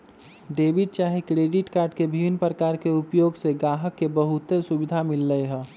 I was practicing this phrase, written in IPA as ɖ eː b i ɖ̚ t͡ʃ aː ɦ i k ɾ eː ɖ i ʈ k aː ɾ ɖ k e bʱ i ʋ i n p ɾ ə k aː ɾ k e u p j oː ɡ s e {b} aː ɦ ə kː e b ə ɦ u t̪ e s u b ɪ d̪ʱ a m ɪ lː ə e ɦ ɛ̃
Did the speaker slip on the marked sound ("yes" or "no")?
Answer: yes